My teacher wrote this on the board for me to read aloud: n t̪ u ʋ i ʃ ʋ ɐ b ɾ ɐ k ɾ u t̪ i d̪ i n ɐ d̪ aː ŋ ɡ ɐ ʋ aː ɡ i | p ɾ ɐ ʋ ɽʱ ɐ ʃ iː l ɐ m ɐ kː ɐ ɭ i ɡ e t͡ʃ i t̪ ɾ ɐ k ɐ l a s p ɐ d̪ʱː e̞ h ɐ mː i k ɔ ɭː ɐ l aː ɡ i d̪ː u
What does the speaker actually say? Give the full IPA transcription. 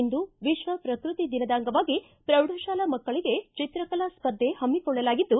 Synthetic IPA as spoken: n d̪ u ʋ i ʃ ʋ ɐ p ɾ ɐ k ɾ u t̪ i d̪ i n ɐ d̪ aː ŋ ɡ ɐ ʋ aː ɡ i | p ɾ ɐ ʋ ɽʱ ɐ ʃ aː l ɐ m ɐ kː ɐ ɭ i ɡ e t͡ʃ i t̪ ɾ ɐ k ɐ l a s p ɐ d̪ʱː e̞ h ɐ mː i k ɔ ɭː ɐ l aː ɡ i d̪ː u